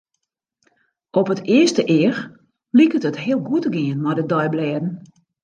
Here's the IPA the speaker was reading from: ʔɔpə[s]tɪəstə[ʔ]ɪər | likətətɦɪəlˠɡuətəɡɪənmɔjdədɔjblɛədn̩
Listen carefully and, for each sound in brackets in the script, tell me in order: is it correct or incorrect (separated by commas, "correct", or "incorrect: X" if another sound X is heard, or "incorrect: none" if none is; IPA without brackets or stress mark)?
incorrect: none, correct